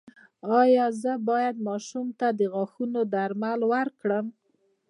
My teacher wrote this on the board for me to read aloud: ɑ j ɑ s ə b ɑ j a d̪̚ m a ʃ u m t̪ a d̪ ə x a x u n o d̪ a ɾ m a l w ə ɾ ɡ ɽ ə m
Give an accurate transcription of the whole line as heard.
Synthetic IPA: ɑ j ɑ z ə b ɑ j a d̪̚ m ɑ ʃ u m t̪ a d̪ ə ɣ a x u n o d̪ a ɾ m a l w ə ɾ k ɽ ə m